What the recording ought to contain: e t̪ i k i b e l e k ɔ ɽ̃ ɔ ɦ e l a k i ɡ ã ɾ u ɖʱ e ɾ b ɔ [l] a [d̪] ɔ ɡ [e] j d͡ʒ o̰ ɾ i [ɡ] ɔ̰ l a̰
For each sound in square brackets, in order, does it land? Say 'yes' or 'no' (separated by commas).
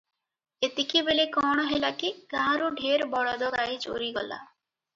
no, yes, no, yes